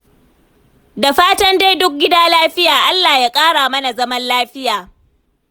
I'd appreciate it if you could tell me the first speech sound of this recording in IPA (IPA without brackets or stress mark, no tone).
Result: d